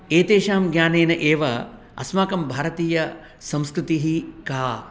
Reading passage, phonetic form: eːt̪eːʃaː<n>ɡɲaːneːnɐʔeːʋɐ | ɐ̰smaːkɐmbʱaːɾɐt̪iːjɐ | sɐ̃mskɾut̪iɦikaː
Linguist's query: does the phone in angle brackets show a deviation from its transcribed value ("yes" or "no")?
yes